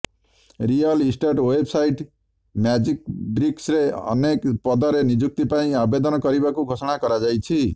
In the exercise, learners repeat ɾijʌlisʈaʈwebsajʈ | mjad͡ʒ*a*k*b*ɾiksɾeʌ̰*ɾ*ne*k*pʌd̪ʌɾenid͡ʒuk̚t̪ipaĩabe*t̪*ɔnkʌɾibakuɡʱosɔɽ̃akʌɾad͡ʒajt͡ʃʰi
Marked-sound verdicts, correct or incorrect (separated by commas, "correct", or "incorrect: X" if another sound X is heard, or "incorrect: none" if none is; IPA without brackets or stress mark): incorrect: i, correct, incorrect: none, correct, incorrect: d̪